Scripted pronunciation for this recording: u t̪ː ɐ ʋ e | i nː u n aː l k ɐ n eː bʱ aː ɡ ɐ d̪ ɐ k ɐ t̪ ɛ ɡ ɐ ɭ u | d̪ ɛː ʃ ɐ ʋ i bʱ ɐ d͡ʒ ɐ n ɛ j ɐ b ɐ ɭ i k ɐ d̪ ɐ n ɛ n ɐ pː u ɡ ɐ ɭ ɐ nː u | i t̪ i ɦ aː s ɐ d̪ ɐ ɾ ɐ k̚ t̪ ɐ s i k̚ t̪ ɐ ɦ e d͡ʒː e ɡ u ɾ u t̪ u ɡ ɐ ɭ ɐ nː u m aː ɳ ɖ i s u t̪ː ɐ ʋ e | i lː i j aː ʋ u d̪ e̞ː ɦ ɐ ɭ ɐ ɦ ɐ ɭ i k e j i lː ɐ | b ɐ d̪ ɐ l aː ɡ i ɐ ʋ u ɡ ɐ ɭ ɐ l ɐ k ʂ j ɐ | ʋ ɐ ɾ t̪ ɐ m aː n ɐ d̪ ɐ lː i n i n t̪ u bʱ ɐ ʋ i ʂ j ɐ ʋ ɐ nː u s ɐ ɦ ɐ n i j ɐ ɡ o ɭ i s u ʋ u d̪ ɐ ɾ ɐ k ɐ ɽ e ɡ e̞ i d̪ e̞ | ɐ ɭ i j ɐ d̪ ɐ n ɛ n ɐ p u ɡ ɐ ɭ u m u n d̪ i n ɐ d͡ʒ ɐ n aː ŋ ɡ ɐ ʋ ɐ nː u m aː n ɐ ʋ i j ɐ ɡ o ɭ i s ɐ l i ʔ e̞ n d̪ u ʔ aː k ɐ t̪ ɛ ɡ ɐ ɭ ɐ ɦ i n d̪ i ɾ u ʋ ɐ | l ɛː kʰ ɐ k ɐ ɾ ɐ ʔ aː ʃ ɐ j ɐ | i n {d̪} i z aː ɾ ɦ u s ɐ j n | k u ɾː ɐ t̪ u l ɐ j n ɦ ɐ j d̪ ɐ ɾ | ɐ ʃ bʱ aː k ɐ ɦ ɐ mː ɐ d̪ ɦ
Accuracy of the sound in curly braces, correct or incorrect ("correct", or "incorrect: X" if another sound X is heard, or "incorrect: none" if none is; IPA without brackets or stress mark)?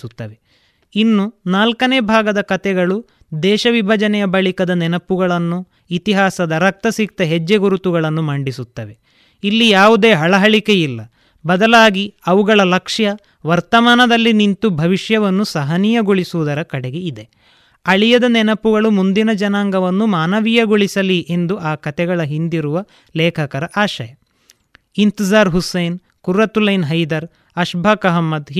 incorrect: t̪